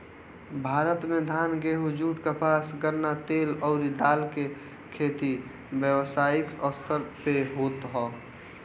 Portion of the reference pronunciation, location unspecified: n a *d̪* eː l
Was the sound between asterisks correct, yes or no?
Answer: no